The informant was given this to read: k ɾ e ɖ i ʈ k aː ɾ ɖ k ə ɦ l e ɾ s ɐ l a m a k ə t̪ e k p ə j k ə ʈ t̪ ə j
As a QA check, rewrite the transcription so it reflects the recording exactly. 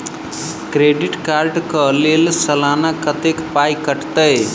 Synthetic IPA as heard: k ɾ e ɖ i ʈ k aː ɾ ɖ k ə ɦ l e l s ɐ l a n a k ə t̪ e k p a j k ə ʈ t̪ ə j